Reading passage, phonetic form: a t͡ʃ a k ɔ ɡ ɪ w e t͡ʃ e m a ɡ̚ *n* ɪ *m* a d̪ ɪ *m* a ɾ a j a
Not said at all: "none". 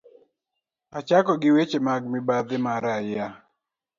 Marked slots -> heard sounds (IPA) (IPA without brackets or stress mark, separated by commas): m, b, m